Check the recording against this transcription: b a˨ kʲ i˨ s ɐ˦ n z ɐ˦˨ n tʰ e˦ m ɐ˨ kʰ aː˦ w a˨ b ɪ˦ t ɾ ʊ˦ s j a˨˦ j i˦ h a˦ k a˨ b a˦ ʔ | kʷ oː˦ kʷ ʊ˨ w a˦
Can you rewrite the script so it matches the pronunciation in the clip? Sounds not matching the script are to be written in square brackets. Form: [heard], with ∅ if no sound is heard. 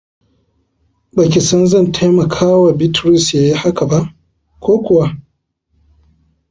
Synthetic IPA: b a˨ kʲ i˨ s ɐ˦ n z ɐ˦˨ n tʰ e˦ m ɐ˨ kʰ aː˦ w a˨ b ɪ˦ t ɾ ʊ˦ s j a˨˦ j i˦ h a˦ k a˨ b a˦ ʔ | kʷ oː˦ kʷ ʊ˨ w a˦